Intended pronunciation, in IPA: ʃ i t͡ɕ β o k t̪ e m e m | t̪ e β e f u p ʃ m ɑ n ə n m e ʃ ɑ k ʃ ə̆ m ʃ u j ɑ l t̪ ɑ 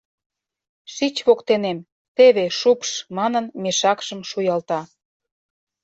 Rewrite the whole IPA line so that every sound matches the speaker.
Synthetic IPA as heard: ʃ i t͡ɕ β o k t̪ e n e m | t̪ e β e ʃ u p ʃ m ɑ n ə n m e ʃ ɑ k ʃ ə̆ m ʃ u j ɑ l t̪ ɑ